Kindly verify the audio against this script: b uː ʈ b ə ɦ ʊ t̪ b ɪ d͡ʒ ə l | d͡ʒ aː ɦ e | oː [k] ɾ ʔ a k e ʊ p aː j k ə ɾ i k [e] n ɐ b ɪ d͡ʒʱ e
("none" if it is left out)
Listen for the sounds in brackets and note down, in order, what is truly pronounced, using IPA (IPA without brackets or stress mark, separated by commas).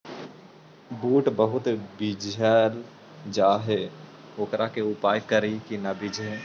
k, i